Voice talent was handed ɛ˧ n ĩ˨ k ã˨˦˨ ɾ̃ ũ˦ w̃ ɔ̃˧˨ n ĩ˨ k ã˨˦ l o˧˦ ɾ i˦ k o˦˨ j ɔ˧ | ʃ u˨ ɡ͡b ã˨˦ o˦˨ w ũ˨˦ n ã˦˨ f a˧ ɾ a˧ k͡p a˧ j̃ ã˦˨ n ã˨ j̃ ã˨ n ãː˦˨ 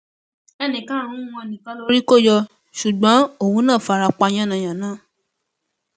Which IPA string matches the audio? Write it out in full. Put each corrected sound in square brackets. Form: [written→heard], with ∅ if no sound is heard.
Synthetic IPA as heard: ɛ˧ n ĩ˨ k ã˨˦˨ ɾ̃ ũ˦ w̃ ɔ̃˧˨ n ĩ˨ k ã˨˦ l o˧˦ ɾ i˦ k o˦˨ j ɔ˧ | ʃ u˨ ɡ͡b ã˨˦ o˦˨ w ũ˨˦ n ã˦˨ f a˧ ɾ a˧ k͡p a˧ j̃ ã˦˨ n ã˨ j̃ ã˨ n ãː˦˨